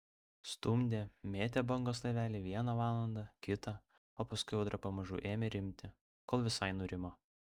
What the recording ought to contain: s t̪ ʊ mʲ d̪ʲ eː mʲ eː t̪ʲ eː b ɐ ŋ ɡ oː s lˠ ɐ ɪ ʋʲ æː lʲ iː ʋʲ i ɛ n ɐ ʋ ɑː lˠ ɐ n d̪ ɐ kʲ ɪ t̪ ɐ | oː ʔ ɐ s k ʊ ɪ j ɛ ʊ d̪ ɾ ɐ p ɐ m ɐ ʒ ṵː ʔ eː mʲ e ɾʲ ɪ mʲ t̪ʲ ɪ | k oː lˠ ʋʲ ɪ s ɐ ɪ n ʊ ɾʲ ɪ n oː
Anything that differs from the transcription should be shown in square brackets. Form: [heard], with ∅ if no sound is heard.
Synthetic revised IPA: s t̪ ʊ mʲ d̪ʲ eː mʲ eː t̪ʲ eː b ɐ ŋ ɡ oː s lˠ ɐ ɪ ʋʲ æː lʲ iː ʋʲ i ɛ n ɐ ʋ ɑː lˠ ɐ n d̪ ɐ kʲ ɪ t̪ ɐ | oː [p] ɐ s k ʊ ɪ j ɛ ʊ d̪ ɾ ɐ p ɐ m ɐ ʒ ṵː ʔ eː mʲ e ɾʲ ɪ mʲ t̪ʲ ɪ | k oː lˠ ʋʲ ɪ s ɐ ɪ n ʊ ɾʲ ɪ [m] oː

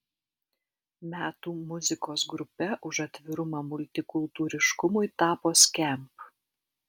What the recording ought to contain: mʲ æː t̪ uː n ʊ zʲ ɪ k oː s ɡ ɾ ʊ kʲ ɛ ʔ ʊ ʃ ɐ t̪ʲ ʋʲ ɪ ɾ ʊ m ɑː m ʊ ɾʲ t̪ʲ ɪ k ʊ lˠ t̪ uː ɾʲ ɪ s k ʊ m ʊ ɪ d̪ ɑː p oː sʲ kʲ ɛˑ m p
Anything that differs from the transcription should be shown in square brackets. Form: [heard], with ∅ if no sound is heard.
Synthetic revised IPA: mʲ æː t̪ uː [m] ʊ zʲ ɪ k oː s ɡ ɾ ʊ [pʲ] ɛ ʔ ʊ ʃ ɐ t̪ʲ ʋʲ ɪ ɾ ʊ m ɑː m ʊ [lʲ] t̪ʲ ɪ k ʊ lˠ t̪ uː ɾʲ ɪ [ʃ] k ʊ m ʊ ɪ [t̪] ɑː p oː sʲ kʲ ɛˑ m p

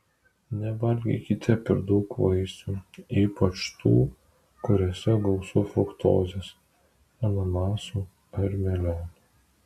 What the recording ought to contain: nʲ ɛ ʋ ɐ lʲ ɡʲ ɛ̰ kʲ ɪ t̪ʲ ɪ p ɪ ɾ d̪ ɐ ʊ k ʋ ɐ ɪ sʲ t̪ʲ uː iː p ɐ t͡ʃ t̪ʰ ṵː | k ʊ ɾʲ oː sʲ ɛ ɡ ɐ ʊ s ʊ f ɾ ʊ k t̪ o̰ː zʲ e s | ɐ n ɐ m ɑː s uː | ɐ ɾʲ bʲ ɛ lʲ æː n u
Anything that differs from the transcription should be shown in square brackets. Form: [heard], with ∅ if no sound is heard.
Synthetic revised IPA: nʲ ɛ ʋ ɐ lʲ ɡʲ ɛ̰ kʲ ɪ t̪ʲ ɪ p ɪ ɾ d̪ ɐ ʊ k ʋ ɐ ɪ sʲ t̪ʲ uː iː p ɐ t͡ʃ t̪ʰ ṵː | k ʊ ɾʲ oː sʲ ɛ ɡ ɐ ʊ s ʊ f ɾ ʊ k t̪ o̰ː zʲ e s | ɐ n ɐ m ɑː s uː | ɐ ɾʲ [mʲ] ɛ lʲ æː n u

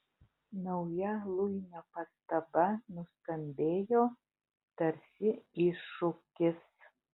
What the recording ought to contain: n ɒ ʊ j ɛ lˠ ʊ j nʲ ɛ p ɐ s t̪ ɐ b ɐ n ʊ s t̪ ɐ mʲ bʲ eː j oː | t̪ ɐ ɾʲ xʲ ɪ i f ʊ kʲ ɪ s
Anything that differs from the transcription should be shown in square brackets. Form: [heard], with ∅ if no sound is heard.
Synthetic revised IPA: n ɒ ʊ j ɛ lˠ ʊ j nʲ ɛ p ɐ s t̪ ɐ b ɐ n ʊ s t̪ ɐ mʲ bʲ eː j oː | t̪ ɐ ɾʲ [sʲ] ɪ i [ʃ] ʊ kʲ ɪ s

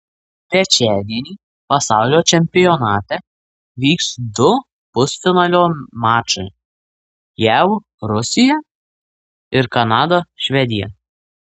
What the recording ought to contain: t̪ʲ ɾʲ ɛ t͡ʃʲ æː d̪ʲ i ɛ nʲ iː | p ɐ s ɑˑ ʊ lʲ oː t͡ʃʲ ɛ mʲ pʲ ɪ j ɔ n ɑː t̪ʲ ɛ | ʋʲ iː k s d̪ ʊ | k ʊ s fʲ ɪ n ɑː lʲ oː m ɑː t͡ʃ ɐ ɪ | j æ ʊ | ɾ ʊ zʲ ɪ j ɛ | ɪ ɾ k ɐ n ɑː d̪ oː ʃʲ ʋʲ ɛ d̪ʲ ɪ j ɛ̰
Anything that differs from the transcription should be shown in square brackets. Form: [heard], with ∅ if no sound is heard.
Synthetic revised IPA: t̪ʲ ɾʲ ɛ t͡ʃʲ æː d̪ʲ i ɛ nʲ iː | p ɐ s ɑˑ ʊ lʲ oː t͡ʃʲ ɛ mʲ pʲ ɪ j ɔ n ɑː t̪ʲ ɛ | ʋʲ iː k s d̪ ʊ | [p] ʊ s fʲ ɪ n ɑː lʲ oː m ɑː t͡ʃ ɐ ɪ | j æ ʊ | ɾ ʊ [sʲ] ɪ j ɛ | ɪ ɾ k ɐ n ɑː d̪ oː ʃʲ ʋʲ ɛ d̪ʲ ɪ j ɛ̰

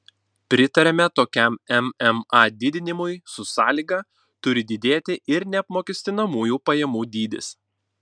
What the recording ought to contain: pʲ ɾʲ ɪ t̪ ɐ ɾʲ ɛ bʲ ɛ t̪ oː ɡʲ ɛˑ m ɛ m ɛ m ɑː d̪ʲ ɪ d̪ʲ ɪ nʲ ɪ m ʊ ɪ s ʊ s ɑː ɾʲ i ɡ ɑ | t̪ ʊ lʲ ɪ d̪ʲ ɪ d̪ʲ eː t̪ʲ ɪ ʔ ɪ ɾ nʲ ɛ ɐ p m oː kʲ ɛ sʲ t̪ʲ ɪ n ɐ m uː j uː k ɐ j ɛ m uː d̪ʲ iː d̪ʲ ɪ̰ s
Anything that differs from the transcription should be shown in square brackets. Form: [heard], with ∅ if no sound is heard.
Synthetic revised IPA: pʲ ɾʲ ɪ t̪ ɐ ɾʲ ɛ [mʲ] ɛ t̪ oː [kʲ] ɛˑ m ɛ m ɛ m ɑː d̪ʲ ɪ d̪ʲ ɪ nʲ ɪ m ʊ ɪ s ʊ s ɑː [lʲ] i ɡ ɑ | t̪ ʊ [ɾʲ] ɪ d̪ʲ ɪ d̪ʲ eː t̪ʲ ɪ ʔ ɪ ɾ nʲ ɛ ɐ p m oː kʲ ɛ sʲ t̪ʲ ɪ n ɐ m uː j uː [p] ɐ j ɛ m uː d̪ʲ iː d̪ʲ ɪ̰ s

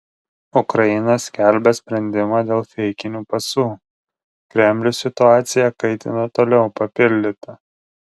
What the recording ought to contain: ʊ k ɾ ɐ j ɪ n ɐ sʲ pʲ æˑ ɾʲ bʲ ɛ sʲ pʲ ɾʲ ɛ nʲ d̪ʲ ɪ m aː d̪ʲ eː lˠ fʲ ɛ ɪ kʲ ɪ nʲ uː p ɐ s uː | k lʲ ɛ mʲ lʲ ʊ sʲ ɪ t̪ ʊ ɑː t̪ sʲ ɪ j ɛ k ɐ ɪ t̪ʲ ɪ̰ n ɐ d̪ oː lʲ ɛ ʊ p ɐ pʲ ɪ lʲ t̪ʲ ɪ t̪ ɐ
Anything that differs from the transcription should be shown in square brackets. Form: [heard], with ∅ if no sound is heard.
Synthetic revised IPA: ʊ k ɾ ɐ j ɪ n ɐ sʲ [kʲ] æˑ [lʲ] bʲ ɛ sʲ pʲ ɾʲ ɛ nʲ d̪ʲ ɪ m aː d̪ʲ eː lˠ fʲ ɛ ɪ kʲ ɪ nʲ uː p ɐ s uː | k [ɾʲ] ɛ mʲ lʲ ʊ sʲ ɪ t̪ ʊ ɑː t̪ sʲ ɪ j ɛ k ɐ ɪ t̪ʲ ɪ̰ n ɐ [t̪] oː lʲ ɛ ʊ p ɐ pʲ ɪ lʲ [d̪ʲ] ɪ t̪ ɐ

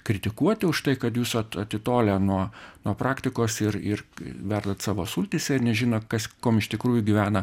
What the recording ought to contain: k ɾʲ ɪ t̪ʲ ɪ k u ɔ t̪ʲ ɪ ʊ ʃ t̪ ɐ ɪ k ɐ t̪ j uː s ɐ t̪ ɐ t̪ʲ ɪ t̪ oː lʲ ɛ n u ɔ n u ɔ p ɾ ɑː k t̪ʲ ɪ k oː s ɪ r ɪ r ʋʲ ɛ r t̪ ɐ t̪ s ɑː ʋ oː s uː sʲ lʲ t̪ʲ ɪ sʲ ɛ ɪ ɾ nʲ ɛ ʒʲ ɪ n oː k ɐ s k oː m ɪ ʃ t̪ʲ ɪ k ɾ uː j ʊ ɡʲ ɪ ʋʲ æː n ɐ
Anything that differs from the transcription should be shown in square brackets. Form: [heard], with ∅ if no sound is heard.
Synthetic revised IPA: k ɾʲ ɪ t̪ʲ ɪ k u ɔ t̪ʲ ɪ ʊ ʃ t̪ ɐ ɪ k ɐ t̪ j uː s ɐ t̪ ɐ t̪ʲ ɪ t̪ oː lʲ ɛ n u ɔ n u ɔ p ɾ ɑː k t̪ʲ ɪ k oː s ɪ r ɪ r ʋʲ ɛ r [d̪] ɐ t̪ s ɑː ʋ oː s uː [∅] lʲ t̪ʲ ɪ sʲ ɛ ɪ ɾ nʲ ɛ ʒʲ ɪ n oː k ɐ s k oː m ɪ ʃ t̪ʲ ɪ k ɾ uː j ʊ ɡʲ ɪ ʋʲ æː n ɐ

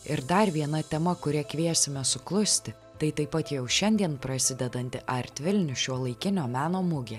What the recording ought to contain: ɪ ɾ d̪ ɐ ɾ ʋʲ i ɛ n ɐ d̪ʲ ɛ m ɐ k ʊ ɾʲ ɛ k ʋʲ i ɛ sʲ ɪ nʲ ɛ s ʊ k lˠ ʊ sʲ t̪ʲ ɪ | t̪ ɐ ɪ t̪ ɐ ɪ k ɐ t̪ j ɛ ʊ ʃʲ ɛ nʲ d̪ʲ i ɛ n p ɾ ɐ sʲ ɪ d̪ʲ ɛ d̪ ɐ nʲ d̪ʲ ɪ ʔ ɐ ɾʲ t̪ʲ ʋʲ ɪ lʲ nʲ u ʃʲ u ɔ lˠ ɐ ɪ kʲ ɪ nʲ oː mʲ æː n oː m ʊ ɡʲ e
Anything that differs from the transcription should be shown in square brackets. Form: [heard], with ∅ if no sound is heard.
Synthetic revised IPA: ɪ ɾ d̪ ɐ ɾ ʋʲ i ɛ n ɐ [t̪ʲ] ɛ m ɐ k ʊ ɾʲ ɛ k ʋʲ i ɛ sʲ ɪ [mʲ] ɛ s ʊ k lˠ ʊ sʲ t̪ʲ ɪ | t̪ ɐ ɪ t̪ ɐ ɪ [p] ɐ t̪ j ɛ ʊ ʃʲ ɛ nʲ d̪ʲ i ɛ n p ɾ ɐ sʲ ɪ d̪ʲ ɛ d̪ ɐ nʲ [t̪ʲ] ɪ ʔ ɐ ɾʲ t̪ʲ ʋʲ ɪ lʲ nʲ [ʊ] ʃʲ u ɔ lˠ ɐ ɪ kʲ ɪ nʲ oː mʲ æː n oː m ʊ ɡʲ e

